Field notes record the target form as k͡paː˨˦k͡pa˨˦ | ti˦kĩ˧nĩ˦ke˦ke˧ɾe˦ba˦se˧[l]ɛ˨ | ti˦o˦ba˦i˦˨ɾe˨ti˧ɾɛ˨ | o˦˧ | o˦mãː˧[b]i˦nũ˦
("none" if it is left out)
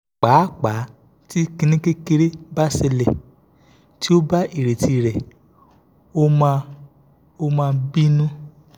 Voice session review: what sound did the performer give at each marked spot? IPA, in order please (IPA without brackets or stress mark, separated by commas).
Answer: l, b